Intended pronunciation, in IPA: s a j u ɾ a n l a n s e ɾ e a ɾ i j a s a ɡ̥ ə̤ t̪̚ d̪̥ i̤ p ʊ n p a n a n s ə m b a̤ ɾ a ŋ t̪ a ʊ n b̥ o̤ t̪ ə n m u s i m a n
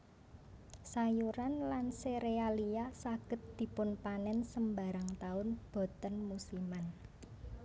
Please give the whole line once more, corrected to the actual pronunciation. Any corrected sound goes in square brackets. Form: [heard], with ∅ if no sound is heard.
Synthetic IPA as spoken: s a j u ɾ a n l a n s e ɾ e a [l] i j a s a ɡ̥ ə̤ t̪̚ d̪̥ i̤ p ʊ n p a n [ɛ] n s ə m b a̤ ɾ a ŋ t̪ a ʊ n b̥ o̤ t̪ ə n m u s i m a n